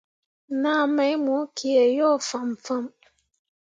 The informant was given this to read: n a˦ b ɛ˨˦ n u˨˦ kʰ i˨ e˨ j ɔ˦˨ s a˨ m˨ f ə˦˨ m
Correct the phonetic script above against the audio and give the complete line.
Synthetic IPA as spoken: n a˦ m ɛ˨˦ m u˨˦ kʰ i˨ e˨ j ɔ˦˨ f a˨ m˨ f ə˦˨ m